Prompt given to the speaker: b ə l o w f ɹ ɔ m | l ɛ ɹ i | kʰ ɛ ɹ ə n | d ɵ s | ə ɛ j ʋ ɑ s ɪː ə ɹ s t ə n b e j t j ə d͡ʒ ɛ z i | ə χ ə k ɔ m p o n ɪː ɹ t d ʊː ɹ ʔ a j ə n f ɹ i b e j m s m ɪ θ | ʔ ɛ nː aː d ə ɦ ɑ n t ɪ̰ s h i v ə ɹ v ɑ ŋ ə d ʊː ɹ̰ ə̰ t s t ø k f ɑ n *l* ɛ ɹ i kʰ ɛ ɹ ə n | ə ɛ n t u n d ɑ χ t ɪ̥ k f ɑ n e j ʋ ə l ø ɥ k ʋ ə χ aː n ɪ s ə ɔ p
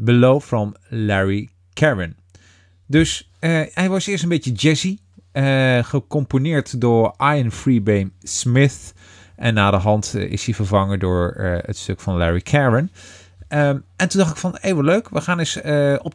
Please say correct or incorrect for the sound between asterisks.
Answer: correct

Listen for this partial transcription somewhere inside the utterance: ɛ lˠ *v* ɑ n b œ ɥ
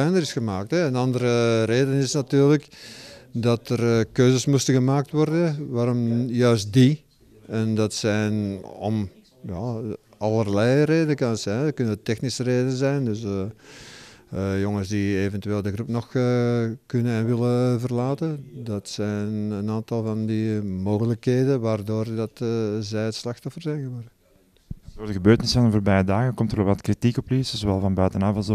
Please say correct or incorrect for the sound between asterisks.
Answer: correct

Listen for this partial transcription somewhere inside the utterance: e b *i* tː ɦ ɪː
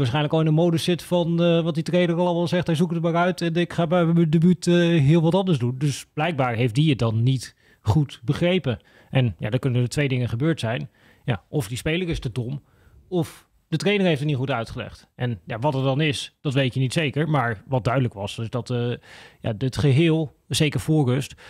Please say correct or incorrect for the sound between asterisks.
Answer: incorrect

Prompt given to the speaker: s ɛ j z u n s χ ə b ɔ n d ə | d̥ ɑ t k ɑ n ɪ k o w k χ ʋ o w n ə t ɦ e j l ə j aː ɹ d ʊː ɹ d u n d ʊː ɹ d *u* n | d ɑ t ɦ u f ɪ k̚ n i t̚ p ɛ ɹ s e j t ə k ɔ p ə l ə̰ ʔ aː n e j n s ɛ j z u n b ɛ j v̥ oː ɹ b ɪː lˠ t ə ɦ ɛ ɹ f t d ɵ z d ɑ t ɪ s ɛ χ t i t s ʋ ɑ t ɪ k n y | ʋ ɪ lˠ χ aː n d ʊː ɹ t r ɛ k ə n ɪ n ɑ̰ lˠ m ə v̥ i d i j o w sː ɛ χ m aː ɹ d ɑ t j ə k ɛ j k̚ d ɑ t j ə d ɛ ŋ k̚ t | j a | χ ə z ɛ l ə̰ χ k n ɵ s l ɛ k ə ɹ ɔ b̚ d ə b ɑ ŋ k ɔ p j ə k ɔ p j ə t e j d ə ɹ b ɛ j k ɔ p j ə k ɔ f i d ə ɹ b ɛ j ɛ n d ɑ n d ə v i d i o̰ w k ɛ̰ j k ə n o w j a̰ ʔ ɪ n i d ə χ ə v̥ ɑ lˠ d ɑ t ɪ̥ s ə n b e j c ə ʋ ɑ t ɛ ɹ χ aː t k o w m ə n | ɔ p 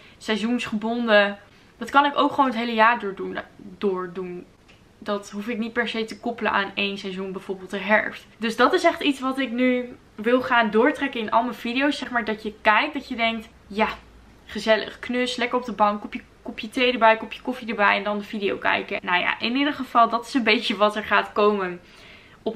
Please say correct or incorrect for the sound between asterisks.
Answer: correct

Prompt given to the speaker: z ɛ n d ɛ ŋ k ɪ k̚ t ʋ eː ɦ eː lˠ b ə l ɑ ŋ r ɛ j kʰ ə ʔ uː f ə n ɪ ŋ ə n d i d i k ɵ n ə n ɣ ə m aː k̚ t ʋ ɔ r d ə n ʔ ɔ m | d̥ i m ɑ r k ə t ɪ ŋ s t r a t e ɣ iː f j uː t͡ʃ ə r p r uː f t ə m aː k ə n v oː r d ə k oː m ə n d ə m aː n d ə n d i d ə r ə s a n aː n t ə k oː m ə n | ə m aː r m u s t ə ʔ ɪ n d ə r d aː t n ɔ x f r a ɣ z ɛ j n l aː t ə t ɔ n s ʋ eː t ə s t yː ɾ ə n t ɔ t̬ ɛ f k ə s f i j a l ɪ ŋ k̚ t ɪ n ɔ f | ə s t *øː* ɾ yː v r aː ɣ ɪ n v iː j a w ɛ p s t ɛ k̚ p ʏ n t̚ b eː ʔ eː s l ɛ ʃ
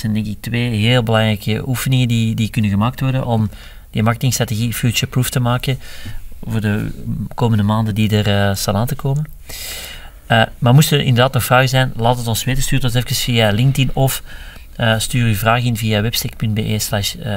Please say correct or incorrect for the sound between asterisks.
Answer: incorrect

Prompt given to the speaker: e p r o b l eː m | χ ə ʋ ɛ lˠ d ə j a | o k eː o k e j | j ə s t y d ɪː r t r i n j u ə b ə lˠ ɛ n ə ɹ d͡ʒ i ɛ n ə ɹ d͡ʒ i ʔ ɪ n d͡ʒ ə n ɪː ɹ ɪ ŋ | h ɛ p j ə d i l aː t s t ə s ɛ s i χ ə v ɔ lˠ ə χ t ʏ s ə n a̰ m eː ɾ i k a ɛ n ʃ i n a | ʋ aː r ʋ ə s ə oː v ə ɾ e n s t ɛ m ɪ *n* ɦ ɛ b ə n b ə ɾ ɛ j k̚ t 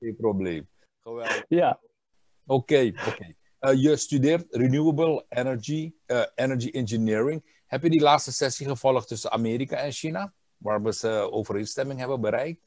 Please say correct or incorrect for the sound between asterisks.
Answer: incorrect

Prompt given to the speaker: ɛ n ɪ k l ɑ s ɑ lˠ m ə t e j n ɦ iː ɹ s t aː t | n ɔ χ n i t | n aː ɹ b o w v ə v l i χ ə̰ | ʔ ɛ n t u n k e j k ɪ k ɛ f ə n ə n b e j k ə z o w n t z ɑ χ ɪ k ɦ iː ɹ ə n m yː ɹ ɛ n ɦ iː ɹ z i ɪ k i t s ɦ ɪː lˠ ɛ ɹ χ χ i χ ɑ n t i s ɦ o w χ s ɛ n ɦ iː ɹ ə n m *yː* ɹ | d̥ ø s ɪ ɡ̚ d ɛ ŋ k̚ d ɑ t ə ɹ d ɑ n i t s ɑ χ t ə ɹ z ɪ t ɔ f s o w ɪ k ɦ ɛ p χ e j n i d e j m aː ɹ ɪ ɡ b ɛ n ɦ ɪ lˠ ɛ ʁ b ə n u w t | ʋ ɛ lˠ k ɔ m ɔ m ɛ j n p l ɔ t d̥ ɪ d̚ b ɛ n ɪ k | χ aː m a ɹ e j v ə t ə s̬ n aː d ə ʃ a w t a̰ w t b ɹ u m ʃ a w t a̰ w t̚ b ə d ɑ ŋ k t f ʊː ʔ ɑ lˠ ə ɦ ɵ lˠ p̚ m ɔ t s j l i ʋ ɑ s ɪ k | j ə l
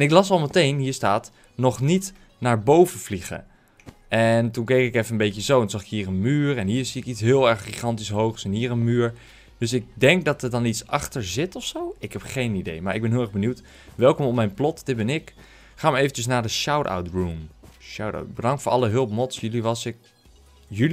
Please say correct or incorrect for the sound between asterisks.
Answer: correct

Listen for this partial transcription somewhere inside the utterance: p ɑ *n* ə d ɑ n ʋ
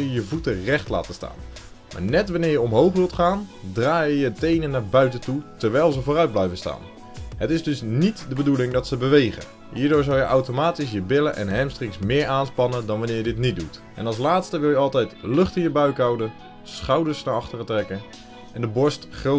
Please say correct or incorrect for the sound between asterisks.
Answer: correct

